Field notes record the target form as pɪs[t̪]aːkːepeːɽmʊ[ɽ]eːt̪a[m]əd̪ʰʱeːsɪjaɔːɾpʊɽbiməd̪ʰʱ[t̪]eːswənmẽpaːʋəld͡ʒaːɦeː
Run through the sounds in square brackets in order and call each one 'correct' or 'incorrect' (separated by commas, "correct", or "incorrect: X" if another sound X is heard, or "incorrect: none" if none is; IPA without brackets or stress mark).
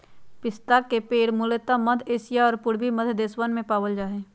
correct, incorrect: l, correct, incorrect: d̪